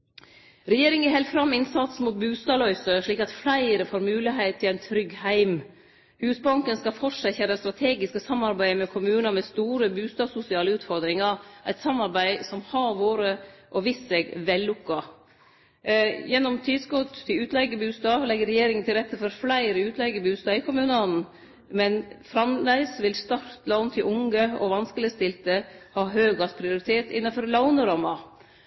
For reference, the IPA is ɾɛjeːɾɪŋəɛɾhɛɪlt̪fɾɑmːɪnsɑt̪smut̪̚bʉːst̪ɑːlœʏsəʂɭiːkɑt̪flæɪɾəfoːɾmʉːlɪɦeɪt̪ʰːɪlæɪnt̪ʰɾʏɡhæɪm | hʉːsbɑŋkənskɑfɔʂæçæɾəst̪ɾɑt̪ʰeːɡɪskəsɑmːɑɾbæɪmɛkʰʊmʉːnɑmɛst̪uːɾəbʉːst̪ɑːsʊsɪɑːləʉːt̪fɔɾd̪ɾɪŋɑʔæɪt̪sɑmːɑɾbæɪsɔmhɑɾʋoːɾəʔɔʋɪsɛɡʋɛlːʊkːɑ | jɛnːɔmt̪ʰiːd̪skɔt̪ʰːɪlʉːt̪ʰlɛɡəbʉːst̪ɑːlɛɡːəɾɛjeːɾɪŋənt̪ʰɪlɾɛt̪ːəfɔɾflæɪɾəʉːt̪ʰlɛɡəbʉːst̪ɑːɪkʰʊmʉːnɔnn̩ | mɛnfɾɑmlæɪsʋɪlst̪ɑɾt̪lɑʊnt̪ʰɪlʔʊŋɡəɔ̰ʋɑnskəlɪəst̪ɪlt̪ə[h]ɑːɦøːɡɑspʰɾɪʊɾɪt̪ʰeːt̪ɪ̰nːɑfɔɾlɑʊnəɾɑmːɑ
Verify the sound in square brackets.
correct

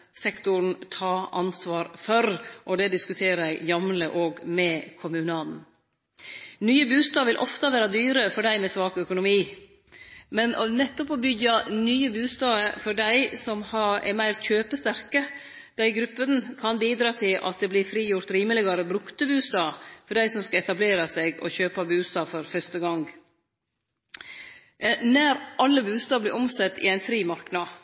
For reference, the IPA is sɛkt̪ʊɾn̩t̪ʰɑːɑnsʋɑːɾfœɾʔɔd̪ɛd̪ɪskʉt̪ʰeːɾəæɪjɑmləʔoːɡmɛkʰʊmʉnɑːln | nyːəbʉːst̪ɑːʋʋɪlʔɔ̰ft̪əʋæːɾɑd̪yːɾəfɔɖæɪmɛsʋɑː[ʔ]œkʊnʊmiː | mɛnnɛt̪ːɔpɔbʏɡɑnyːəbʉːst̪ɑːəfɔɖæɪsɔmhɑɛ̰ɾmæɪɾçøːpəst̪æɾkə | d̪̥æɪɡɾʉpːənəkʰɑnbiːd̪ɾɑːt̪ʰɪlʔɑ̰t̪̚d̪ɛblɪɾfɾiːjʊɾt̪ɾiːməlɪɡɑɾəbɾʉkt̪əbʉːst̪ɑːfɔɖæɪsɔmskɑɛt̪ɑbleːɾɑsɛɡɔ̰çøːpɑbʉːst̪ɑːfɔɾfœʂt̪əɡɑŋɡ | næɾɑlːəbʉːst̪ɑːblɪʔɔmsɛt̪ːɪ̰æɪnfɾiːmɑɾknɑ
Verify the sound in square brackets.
incorrect: k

